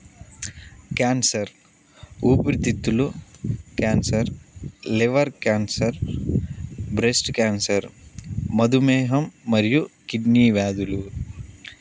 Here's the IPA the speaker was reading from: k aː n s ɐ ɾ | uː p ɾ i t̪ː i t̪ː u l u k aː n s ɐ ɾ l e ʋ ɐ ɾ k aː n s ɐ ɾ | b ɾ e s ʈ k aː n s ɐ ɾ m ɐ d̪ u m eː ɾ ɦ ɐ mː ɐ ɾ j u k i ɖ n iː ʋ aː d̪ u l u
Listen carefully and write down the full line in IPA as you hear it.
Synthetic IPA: k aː n s ɐ ɾ | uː p ɾ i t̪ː i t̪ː u l u k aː n s ɐ ɾ l e ʋ ɐ ɾ k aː n s ɐ ɾ | b ɾ e s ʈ k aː n s ɐ ɾ m ɐ d̪ u m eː ɦ ɐ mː ɐ ɾ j u k i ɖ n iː ʋ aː d̪ u l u